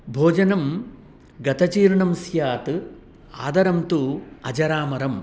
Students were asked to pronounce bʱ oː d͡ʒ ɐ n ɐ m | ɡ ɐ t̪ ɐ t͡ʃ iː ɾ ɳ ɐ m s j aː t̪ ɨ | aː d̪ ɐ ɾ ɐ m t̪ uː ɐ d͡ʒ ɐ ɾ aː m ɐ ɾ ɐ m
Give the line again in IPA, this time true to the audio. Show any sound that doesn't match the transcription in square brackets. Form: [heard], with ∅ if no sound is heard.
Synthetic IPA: bʱ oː d͡ʒ ɐ n ɐ m | ɡ ɐ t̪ ɐ t͡ʃ iː ɾ ɳ ɐ m s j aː t̪ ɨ | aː d̪ ɐ ɾ ɐ m t̪ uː ɐ d͡ʒ ɐ ɾ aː m ɐ ɾ ɐ m